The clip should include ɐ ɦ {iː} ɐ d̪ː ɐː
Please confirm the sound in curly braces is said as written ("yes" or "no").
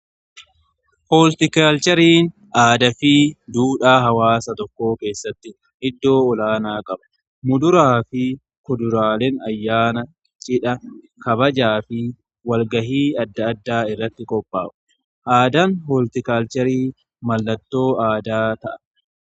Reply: yes